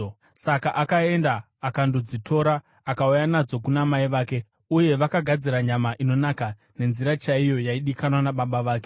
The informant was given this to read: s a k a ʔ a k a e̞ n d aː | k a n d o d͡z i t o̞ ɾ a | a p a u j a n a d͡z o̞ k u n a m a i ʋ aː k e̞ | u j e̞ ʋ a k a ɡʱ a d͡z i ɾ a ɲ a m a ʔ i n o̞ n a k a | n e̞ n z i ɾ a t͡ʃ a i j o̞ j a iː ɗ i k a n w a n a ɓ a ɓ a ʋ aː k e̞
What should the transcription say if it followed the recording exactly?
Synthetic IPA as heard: s a k a ʔ a k a e̞ n d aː | k a n d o d͡z i t o̞ ɾ a | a k a u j a n a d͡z o̞ k u n a m a i ʋ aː k e̞ | u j e̞ ʋ a k a ɡʱ a d͡z i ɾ a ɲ a m a ʔ i n o̞ n a k a | n e̞ n z i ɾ a t͡ʃ a i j o̞ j a i ɗ i k a n w a n a ɓ a ɓ a ʋ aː k e̞